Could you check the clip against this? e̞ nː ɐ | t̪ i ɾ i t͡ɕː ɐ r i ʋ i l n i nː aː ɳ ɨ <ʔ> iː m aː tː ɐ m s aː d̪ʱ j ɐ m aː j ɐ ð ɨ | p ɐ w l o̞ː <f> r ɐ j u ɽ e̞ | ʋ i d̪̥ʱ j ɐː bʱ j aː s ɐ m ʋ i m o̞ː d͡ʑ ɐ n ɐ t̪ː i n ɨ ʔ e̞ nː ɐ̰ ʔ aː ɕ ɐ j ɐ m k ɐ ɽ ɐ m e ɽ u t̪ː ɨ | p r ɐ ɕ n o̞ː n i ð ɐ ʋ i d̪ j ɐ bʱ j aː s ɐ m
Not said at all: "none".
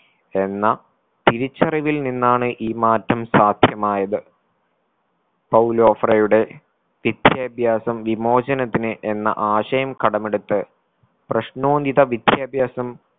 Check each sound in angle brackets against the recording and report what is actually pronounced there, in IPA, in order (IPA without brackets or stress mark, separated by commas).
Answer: ʔ, f